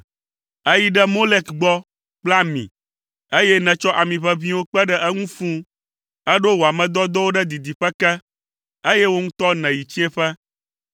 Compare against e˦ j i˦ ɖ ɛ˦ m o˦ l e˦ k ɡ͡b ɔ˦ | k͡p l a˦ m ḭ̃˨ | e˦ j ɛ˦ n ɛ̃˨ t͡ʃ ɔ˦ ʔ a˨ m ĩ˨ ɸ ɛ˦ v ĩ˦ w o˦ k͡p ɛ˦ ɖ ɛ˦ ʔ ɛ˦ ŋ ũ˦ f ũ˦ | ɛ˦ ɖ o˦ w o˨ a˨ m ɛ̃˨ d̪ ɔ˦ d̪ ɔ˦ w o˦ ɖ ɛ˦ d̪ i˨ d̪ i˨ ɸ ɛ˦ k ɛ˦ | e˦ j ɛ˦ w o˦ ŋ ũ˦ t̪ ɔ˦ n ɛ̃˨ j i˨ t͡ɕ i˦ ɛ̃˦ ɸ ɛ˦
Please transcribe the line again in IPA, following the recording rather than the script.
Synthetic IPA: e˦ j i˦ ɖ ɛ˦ m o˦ l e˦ k ɡ͡b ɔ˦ | k͡p l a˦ m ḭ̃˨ | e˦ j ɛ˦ n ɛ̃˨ t͡ʃ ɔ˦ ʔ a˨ m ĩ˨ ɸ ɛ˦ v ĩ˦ w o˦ k͡p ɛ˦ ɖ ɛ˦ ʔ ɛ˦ ŋ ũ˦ f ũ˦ | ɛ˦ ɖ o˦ w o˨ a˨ m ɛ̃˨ d̪ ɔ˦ d̪ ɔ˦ w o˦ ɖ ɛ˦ d̪ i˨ d̪ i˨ ɸ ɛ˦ k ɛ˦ | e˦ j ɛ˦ w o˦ ŋ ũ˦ t̪ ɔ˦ n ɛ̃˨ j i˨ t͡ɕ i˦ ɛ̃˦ ɸ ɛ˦